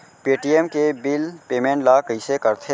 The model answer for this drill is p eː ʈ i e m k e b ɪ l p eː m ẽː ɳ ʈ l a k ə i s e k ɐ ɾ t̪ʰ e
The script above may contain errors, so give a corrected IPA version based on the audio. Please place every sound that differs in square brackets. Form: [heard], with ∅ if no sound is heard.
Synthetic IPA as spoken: p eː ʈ i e m k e b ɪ l p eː m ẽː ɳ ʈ l a k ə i s e k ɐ ɾ t̪ʰ e